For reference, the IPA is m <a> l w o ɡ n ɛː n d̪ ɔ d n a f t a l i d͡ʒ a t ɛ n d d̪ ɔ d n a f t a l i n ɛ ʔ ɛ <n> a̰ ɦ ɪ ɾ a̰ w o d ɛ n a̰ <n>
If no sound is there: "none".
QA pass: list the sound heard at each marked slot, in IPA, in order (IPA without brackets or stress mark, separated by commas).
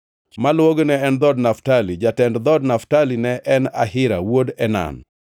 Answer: a, n, n